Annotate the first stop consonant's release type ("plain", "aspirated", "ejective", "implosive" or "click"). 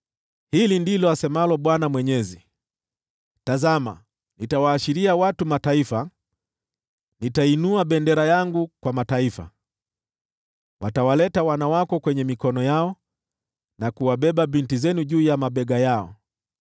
plain